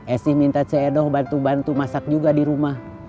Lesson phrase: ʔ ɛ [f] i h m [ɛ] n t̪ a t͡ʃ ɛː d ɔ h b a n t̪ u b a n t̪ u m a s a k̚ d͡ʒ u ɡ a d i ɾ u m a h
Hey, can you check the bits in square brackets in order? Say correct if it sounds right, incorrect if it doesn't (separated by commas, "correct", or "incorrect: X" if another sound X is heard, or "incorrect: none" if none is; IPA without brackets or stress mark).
incorrect: s, incorrect: i